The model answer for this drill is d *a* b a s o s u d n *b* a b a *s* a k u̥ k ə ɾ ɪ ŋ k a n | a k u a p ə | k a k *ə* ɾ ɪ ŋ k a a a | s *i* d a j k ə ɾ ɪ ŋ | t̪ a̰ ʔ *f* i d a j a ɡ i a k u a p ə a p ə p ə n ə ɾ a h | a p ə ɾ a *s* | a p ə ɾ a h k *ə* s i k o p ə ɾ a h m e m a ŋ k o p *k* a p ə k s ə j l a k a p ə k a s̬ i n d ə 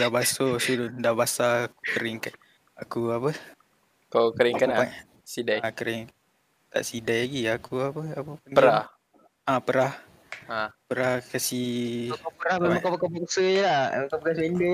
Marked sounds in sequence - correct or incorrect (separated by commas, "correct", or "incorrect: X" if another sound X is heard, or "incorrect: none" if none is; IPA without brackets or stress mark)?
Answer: correct, incorrect: d, correct, correct, correct, incorrect: s, incorrect: h, incorrect: a, correct